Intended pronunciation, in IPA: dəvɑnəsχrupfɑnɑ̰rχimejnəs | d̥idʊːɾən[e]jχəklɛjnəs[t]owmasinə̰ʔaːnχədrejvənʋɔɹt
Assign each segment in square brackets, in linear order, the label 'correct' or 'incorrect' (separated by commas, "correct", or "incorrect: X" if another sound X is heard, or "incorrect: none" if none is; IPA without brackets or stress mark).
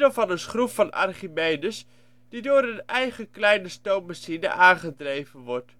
incorrect: ɛ, correct